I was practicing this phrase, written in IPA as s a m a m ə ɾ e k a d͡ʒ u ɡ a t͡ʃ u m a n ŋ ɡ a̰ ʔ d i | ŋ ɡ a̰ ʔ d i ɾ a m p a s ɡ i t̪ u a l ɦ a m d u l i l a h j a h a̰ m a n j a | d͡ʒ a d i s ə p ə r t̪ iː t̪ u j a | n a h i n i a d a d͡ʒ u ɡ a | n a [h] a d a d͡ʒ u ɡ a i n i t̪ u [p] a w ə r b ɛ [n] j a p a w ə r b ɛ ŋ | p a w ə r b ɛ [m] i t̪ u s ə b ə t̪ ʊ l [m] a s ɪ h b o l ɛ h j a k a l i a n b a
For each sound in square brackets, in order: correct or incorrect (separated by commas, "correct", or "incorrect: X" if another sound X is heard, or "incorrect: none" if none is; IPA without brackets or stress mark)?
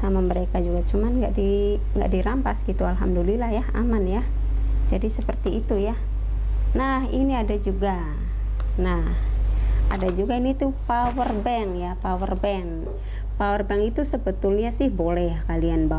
correct, correct, incorrect: ŋ, incorrect: ŋ, incorrect: ɲ